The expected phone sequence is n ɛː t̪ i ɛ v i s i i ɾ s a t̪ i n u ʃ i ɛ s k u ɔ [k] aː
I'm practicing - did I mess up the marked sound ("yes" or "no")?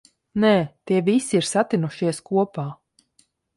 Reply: yes